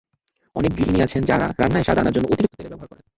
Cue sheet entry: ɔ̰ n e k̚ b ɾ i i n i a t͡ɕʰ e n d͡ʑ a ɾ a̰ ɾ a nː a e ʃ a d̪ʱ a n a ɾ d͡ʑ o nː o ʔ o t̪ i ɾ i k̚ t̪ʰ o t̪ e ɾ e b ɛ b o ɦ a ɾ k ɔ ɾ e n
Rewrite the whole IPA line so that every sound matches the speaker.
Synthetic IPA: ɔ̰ n e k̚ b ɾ i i n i a t͡ɕʰ e n d͡ʑ a ɾ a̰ ɾ a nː a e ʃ a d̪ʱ a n a ɾ d͡ʑ o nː o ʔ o t̪ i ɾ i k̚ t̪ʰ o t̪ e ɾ e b ɛ b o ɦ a ɾ k ɔ ɾ e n